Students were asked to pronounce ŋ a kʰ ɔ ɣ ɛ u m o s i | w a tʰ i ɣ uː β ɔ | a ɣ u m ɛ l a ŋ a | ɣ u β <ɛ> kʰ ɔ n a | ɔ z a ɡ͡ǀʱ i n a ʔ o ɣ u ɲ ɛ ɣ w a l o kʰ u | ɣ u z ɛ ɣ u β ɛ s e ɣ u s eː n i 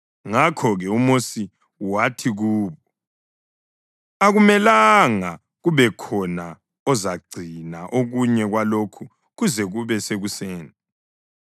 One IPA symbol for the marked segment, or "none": ɛ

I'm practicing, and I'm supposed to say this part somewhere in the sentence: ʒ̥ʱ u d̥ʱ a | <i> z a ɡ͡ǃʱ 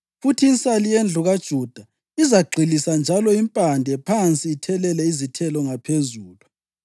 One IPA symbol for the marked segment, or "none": i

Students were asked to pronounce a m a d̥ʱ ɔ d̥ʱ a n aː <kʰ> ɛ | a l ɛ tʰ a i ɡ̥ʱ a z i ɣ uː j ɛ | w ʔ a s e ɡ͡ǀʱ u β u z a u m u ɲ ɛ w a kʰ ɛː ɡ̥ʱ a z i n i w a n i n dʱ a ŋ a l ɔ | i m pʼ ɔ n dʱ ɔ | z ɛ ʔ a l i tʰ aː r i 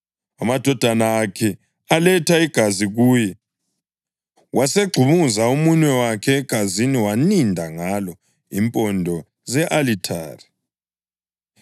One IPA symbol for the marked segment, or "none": kʰ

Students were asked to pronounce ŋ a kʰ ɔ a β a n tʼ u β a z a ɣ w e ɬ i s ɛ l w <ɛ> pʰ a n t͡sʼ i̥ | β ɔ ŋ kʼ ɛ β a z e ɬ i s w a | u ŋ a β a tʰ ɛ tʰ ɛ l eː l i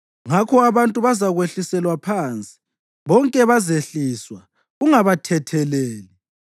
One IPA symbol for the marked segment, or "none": a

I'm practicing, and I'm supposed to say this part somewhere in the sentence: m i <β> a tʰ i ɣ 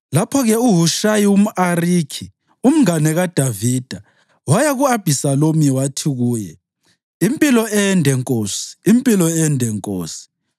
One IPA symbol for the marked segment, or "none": w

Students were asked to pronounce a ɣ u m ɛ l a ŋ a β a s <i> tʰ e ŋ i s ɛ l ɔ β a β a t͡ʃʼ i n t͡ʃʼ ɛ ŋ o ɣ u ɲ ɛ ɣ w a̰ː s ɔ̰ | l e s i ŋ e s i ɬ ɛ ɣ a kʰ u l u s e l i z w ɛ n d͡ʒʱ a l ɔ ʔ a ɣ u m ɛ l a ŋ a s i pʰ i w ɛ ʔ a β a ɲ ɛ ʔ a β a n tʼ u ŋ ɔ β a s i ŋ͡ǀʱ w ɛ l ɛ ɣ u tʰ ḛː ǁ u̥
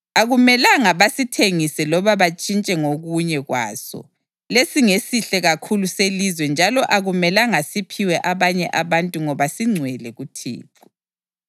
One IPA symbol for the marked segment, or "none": i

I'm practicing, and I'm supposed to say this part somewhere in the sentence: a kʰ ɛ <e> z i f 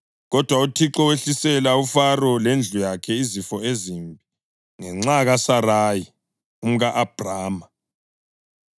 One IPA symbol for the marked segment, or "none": i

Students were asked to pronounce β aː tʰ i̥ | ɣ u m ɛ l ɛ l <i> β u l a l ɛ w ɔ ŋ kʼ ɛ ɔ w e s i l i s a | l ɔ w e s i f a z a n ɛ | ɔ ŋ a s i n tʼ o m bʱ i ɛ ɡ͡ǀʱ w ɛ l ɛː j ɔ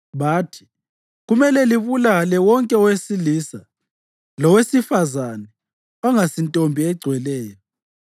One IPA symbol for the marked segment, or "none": i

